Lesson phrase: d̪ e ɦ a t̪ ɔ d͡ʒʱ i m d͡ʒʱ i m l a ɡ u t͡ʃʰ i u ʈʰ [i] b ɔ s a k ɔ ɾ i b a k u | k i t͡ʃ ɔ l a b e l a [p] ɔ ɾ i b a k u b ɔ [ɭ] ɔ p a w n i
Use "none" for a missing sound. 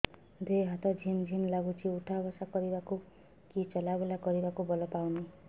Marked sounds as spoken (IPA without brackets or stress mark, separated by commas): a, k, l